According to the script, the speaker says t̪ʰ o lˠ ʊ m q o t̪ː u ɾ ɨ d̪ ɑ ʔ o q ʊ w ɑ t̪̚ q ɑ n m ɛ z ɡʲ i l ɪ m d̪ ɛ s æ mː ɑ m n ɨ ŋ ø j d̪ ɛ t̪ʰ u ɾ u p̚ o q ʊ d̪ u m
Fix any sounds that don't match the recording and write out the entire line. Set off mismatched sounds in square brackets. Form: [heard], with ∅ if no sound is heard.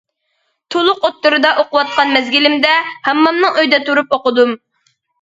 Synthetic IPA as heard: t̪ʰ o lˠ ʊ [∅] q o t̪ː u ɾ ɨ d̪ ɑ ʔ o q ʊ w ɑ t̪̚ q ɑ n m ɛ z ɡʲ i l ɪ m d̪ ɛ [h] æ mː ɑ m n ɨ ŋ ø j d̪ ɛ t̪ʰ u ɾ u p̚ o q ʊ d̪ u m